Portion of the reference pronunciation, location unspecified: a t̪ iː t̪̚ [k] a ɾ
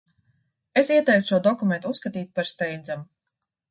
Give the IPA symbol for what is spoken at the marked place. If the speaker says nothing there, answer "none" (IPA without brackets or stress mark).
p